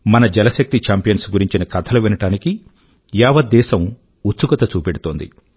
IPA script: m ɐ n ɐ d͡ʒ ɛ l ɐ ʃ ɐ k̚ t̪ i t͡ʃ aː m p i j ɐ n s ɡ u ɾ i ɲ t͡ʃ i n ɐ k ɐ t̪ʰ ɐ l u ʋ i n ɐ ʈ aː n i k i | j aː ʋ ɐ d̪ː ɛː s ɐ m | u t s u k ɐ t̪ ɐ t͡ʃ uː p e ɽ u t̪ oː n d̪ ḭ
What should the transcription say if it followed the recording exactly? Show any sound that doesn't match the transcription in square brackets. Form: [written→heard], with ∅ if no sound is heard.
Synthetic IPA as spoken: m ɐ n ɐ d͡ʒ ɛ l ɐ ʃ ɐ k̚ t̪ i t͡ʃ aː m p i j ɐ n s ɡ u ɾ i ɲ t͡ʃ i n ɐ k ɐ t̪ʰ ɐ l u ʋ i n ɐ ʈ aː n i k i | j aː ʋ ɐ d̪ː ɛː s ɐ m | u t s u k ɐ t̪ ɐ t͡ʃ uː p e ɽ u t̪ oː n d̪ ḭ